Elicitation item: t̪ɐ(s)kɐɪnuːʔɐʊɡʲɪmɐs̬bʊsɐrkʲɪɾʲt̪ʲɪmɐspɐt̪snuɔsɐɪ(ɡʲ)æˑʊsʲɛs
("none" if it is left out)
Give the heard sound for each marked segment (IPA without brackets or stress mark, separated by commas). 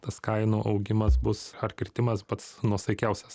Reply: s, kʲ